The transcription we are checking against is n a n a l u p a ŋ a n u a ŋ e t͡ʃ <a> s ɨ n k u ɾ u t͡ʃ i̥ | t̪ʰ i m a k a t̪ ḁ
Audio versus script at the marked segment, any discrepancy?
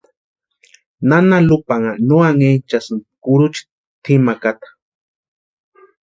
no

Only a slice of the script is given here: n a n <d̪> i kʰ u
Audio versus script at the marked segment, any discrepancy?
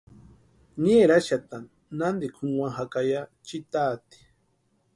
no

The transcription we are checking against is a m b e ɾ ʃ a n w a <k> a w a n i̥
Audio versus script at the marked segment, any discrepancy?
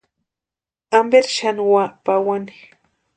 yes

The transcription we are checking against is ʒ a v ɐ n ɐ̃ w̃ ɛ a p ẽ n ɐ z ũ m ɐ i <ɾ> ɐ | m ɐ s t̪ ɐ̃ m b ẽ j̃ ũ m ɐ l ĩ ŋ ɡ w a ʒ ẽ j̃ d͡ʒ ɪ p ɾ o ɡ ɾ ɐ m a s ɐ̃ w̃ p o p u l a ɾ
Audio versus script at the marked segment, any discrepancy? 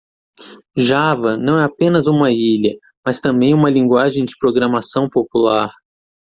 yes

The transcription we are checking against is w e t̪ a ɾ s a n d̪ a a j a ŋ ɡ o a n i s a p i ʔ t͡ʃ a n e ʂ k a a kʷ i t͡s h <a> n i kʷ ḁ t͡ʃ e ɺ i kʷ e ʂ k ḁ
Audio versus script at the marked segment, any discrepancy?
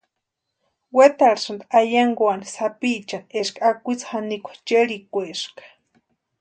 no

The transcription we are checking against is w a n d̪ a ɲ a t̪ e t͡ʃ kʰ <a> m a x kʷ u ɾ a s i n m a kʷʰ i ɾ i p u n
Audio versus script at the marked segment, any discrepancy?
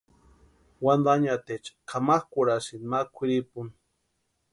no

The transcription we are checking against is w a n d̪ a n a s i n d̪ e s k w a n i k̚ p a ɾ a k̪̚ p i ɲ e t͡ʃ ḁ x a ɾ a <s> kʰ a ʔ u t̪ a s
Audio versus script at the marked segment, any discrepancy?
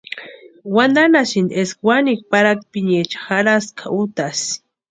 no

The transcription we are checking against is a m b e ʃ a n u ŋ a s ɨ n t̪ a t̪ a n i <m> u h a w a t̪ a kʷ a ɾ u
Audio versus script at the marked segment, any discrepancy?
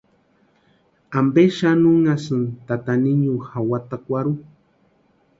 yes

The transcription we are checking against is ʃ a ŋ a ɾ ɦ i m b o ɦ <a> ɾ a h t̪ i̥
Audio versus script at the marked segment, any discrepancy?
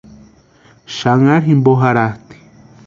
no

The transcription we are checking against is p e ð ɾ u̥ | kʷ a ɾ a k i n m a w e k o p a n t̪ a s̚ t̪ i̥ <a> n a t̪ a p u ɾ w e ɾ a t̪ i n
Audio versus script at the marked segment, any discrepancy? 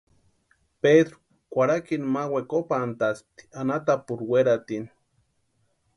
no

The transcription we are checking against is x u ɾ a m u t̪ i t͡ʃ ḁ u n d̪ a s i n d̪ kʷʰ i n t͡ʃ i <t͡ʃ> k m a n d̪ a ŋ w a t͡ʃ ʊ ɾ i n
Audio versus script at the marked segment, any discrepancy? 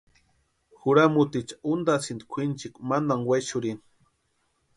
yes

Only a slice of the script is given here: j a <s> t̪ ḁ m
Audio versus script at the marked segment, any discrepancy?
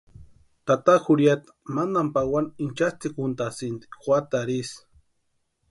yes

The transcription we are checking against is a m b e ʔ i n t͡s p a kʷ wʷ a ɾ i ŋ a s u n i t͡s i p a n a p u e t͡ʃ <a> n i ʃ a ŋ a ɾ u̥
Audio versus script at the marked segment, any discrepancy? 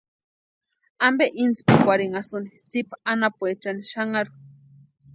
no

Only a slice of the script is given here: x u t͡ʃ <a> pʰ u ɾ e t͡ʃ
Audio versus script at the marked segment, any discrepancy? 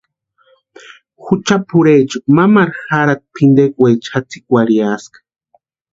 no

